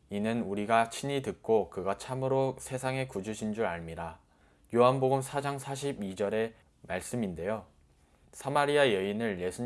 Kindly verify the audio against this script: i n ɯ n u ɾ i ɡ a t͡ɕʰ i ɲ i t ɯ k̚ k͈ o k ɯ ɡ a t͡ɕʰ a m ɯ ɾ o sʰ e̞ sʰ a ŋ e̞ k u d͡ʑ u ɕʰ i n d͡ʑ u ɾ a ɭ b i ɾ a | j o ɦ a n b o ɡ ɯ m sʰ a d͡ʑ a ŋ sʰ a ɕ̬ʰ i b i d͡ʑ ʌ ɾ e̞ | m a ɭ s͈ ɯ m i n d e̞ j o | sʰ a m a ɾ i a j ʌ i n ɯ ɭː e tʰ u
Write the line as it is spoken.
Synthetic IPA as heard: i n ɯ n u ɾ i ɡ a t͡ɕʰ i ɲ i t ɯ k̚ k͈ o k ɯ ɡ a t͡ɕʰ a m ɯ ɾ o sʰ e̞ sʰ a ŋ e̞ k u d͡ʑ u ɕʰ i n d͡ʑ u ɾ a ɭ m i ɾ a | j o ɦ a n b o ɡ ɯ m sʰ a d͡ʑ a ŋ sʰ a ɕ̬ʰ i b i d͡ʑ ʌ ɾ e̞ | m a ɭ s͈ ɯ m i n d e̞ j o | sʰ a m a ɾ i a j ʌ i n ɯ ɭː e sʰ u